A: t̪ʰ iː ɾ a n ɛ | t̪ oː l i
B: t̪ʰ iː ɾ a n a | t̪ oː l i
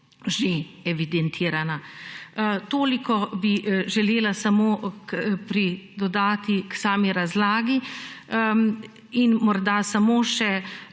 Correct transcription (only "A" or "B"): B